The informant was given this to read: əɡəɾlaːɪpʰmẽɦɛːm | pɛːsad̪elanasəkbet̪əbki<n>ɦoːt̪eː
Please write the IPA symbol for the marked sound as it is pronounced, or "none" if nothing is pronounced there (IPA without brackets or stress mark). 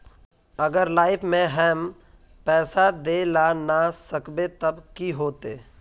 none